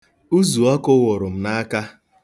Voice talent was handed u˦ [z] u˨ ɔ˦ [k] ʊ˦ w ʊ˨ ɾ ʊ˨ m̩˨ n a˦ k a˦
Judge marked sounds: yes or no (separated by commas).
yes, yes